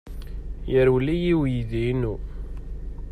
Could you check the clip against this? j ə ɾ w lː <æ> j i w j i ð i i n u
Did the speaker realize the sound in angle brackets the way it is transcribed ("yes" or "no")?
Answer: no